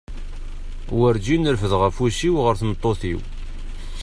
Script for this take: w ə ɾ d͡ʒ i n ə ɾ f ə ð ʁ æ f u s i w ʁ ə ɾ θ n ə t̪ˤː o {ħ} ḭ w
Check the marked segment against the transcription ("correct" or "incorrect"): incorrect